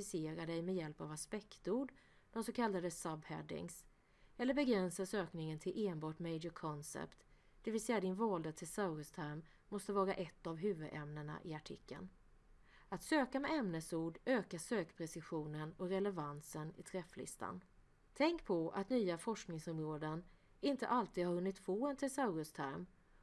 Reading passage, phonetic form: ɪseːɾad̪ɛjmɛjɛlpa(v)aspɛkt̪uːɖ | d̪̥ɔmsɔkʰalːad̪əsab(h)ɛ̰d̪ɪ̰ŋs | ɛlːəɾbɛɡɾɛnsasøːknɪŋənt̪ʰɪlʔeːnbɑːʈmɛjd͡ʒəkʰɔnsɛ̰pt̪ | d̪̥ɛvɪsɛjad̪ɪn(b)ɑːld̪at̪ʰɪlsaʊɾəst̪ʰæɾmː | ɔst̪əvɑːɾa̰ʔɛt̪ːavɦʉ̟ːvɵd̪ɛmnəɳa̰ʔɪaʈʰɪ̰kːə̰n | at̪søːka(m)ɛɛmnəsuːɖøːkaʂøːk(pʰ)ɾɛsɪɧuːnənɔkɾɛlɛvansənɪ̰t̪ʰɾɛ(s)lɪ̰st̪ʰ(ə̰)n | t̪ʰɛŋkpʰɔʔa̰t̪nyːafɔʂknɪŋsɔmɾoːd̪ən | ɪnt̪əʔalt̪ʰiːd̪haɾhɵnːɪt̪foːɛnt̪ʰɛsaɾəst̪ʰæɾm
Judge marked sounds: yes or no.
yes, yes, no, yes, yes, no, no

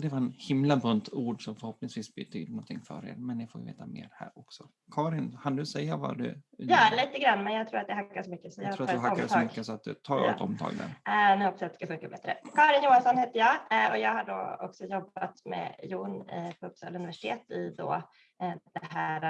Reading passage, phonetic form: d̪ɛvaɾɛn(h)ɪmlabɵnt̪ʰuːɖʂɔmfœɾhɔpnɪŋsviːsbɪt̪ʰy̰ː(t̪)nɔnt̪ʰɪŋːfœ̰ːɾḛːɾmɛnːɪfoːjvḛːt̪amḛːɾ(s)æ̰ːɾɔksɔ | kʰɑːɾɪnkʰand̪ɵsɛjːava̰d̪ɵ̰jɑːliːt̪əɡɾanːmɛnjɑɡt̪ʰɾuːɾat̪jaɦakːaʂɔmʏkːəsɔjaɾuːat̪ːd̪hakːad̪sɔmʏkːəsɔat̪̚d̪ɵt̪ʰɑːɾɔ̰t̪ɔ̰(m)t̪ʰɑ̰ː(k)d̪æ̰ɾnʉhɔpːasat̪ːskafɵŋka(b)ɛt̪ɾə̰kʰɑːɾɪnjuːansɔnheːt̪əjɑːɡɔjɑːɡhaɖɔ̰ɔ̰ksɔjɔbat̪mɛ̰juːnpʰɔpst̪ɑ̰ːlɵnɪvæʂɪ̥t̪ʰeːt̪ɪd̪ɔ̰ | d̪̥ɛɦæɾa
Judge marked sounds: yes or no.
yes, no, no, yes, no, yes

